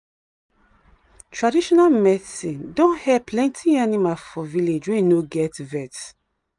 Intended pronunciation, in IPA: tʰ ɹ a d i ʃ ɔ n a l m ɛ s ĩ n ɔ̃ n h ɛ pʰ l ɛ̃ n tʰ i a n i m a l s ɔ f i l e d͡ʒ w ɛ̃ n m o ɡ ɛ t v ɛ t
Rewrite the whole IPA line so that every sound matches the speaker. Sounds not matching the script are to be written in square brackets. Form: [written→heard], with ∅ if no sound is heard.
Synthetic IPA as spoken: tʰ ɹ a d i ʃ ɔ n a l m ɛ s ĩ [n→d] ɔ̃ n h ɛ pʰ l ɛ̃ n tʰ i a n i m a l [s→f] ɔ [f→v] i l e d͡ʒ w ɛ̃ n [m→n] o ɡ ɛ t v ɛ t